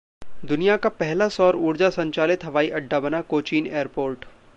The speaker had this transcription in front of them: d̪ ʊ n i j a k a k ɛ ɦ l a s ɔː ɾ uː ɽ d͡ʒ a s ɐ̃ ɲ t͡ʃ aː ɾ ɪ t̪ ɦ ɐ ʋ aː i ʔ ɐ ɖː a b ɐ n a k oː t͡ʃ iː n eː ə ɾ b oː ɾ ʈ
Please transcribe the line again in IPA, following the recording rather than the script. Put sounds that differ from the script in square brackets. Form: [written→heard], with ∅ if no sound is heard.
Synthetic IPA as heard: d̪ ʊ n i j a k a [k→p] ɛ ɦ l a s ɔː ɾ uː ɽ d͡ʒ a s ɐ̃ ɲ t͡ʃ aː [ɾ→l] ɪ t̪ ɦ ɐ ʋ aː i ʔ ɐ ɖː a b ɐ n a k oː t͡ʃ iː n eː ə ɾ [b→p] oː ɾ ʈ